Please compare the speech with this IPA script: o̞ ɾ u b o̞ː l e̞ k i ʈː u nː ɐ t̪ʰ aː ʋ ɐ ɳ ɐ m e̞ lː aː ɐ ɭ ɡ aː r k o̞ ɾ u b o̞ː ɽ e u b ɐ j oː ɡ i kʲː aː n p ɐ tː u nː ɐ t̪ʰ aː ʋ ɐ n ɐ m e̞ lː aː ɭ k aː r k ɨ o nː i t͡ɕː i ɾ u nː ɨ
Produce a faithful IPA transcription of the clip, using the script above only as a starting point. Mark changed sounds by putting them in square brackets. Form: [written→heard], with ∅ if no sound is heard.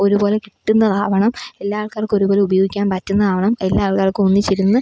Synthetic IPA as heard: o̞ ɾ u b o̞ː l e̞ k i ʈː u nː ɐ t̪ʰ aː ʋ ɐ ɳ ɐ m e̞ lː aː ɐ ɭ [ɡ→k] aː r k o̞ ɾ u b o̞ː [ɽ→l] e u b ɐ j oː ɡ i kʲː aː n p ɐ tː u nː ɐ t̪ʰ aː ʋ ɐ [n→ɳ] ɐ m e̞ lː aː ɭ k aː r k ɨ o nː i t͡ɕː i ɾ u nː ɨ